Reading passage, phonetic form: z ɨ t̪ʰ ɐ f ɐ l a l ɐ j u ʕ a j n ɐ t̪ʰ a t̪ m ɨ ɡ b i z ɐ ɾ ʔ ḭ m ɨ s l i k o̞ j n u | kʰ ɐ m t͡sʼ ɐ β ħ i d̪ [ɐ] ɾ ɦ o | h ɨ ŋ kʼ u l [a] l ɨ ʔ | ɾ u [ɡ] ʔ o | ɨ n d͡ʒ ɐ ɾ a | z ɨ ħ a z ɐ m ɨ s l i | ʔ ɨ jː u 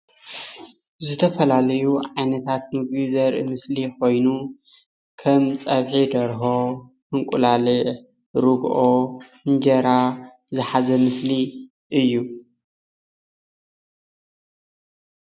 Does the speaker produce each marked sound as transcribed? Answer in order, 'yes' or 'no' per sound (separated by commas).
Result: yes, yes, yes